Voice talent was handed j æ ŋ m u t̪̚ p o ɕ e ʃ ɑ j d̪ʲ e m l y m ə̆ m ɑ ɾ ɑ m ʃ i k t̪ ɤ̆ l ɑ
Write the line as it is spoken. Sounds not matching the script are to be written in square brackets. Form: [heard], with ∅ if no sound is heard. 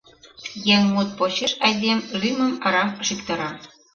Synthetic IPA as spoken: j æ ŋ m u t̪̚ p o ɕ e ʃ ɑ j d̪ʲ e m l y m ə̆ m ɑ ɾ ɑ m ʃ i k t̪ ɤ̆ [ɾ] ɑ